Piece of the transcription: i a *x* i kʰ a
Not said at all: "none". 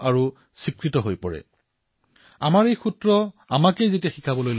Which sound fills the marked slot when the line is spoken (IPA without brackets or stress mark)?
x